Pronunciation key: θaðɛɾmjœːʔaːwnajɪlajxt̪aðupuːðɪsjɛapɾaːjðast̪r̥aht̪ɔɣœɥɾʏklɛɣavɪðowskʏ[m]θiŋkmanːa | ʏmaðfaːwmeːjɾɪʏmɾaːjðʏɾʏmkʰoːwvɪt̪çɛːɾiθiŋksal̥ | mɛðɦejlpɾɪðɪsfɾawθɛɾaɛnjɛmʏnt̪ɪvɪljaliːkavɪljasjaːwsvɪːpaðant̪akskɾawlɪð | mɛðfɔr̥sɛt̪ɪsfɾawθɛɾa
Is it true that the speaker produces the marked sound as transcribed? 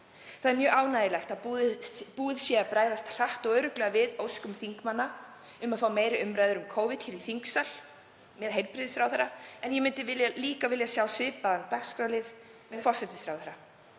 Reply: yes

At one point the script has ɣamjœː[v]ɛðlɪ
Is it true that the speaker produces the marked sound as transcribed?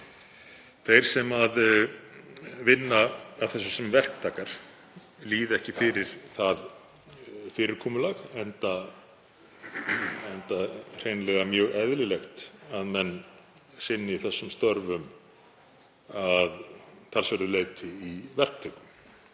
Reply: no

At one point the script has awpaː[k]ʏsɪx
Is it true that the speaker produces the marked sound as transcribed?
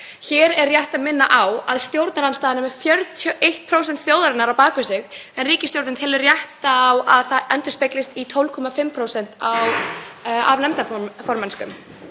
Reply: yes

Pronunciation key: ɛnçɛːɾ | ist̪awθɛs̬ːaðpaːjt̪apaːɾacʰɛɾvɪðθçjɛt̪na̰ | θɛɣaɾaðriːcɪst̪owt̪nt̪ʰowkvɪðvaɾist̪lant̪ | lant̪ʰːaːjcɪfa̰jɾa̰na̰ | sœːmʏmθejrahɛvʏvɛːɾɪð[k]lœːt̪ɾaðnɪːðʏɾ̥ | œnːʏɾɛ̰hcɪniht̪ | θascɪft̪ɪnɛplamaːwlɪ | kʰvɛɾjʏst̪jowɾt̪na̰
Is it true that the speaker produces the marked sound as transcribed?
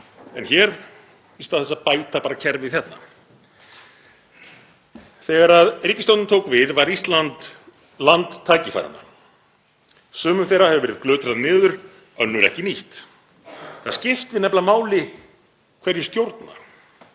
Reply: yes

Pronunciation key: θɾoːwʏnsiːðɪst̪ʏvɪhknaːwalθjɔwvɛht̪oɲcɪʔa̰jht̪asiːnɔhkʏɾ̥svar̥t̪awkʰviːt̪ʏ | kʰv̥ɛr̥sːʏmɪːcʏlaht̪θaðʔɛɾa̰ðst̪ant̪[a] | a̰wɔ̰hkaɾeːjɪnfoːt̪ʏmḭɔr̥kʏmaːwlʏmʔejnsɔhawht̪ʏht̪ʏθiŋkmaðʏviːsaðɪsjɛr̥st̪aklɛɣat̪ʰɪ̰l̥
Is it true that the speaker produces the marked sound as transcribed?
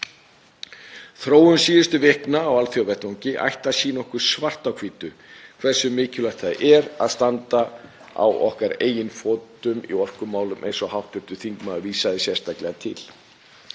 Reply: yes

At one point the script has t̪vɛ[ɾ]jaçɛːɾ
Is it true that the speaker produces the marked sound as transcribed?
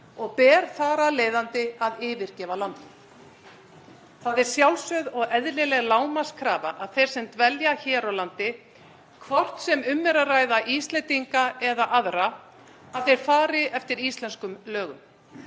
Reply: no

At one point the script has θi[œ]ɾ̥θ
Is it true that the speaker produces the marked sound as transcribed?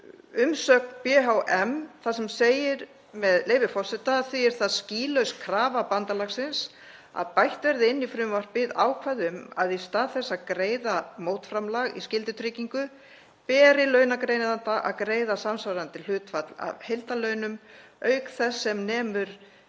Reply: no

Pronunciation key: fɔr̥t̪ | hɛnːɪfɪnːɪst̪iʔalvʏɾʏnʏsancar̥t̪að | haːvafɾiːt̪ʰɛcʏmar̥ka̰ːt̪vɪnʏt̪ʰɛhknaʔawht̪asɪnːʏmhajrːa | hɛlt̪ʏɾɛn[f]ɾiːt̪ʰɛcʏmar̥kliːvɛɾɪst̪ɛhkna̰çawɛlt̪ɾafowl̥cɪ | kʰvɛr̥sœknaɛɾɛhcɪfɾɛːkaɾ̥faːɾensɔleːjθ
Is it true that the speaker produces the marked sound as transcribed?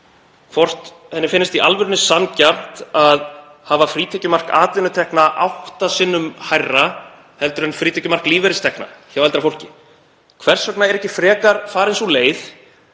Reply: yes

